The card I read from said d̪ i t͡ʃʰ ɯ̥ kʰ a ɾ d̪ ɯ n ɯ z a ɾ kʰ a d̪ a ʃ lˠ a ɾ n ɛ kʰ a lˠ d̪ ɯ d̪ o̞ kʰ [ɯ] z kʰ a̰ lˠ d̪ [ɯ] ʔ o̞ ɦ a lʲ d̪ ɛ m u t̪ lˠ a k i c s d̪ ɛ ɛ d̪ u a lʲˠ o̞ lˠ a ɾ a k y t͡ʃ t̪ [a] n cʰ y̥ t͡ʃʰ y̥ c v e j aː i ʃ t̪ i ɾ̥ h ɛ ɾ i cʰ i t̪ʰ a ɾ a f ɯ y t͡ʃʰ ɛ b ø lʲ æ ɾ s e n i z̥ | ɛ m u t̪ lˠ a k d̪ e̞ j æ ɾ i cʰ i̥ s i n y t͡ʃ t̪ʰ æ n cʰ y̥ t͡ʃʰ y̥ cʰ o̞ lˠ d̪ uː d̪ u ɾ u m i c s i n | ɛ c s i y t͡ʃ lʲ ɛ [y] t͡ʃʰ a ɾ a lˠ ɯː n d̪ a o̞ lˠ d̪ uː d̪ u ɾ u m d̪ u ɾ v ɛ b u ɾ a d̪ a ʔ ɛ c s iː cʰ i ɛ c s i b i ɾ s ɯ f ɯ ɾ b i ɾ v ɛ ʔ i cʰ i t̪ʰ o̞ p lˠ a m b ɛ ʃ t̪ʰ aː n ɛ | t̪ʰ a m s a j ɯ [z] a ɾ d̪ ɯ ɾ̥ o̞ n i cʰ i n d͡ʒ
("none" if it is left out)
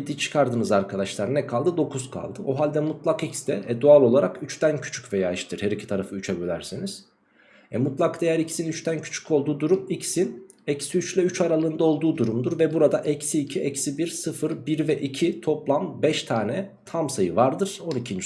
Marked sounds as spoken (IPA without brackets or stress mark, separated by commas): u, ɯ, æ, y, v